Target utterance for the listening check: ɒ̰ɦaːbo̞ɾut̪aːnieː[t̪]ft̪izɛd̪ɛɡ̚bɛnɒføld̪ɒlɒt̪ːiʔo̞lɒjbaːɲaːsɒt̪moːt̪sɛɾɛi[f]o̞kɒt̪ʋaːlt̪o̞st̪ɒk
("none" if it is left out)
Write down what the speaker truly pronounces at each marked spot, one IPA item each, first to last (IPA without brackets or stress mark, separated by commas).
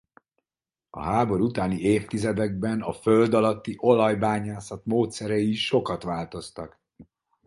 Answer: none, ʃ